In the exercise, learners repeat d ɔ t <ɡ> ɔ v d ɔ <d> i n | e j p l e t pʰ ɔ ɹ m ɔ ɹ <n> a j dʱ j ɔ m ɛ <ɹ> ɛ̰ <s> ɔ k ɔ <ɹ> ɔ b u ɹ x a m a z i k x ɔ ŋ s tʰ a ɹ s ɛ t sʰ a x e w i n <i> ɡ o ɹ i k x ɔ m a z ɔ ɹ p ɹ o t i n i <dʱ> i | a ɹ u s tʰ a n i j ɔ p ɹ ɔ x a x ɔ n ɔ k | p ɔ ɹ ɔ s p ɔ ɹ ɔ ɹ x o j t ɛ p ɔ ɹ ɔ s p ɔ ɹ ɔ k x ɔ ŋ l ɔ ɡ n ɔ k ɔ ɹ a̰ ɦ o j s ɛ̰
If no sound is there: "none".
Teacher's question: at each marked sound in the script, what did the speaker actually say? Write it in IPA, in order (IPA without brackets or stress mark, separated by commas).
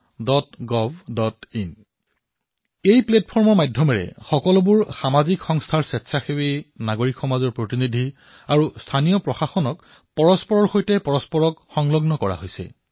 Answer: ɡ, t, m, ɹ, x, l, a, dʱ